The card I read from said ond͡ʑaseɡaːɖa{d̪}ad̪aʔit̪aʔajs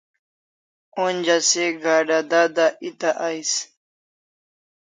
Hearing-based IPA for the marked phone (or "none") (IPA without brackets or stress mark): d̪